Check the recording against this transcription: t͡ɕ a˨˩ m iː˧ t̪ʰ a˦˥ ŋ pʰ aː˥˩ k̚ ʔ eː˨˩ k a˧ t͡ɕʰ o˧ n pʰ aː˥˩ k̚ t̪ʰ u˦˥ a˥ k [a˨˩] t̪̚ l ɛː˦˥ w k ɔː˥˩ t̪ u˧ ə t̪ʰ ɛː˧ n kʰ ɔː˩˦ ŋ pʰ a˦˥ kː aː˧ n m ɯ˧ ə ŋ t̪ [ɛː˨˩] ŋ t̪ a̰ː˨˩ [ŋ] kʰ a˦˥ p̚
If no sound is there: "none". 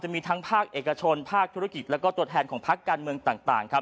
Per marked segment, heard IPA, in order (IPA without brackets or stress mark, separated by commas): i˨˩, aː˨˩, ŋ